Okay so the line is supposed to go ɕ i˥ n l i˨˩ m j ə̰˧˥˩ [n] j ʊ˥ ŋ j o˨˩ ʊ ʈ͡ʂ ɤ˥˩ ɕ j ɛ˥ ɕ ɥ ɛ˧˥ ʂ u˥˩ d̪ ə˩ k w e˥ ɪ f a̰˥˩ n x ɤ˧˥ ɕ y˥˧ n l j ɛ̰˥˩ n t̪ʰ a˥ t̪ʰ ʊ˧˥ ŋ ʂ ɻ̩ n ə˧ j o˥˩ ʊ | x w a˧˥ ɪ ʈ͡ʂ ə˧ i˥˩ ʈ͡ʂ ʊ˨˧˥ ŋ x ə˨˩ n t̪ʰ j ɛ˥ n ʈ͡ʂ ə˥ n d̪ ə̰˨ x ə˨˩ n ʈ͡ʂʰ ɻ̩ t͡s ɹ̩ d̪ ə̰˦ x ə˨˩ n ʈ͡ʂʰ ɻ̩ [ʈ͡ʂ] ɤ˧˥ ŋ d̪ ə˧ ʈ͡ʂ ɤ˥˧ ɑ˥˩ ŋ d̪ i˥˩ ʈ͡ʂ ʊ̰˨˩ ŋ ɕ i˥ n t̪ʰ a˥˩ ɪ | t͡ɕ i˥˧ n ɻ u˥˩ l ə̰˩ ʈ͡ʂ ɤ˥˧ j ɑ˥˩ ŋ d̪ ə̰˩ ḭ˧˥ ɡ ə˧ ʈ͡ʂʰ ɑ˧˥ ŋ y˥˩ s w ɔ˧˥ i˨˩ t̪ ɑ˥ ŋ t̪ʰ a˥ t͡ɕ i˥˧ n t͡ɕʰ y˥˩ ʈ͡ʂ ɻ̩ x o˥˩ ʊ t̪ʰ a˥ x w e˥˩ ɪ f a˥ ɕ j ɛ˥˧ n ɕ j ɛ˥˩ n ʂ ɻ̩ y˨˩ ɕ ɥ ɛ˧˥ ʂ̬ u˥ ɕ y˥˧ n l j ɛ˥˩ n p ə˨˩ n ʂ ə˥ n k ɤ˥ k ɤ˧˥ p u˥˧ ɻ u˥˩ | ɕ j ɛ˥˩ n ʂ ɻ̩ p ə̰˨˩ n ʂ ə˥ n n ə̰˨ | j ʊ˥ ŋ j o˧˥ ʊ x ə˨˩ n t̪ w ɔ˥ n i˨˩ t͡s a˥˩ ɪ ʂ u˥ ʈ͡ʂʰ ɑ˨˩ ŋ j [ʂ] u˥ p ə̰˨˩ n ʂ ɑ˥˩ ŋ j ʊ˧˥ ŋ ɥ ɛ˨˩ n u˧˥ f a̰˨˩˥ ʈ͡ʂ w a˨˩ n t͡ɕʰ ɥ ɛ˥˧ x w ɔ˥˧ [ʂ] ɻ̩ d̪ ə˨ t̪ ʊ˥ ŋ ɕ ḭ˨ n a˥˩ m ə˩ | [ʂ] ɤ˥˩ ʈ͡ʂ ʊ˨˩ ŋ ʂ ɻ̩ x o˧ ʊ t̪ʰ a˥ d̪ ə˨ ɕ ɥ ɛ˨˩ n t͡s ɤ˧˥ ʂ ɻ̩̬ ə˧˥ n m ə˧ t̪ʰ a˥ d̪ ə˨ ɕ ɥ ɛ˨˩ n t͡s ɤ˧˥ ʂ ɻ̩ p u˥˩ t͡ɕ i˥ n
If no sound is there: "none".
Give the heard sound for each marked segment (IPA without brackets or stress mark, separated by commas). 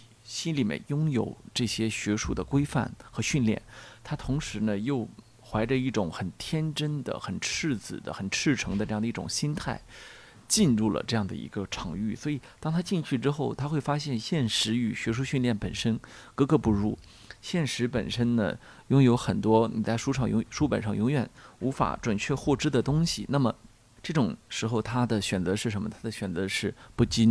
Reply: n, ʈ͡ʂʰ, ʂ, ʈ͡ʂ, ʈ͡ʂ